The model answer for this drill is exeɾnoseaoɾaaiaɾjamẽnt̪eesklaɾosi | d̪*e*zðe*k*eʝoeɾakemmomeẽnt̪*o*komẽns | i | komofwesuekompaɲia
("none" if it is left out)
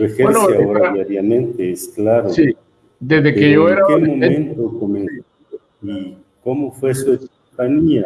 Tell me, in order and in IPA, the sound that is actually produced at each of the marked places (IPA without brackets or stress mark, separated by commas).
e, k, o